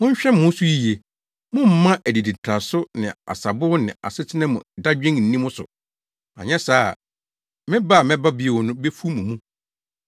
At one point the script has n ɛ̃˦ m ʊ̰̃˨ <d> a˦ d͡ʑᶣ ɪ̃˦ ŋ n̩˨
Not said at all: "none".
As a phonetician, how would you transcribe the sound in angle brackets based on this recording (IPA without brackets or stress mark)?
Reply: d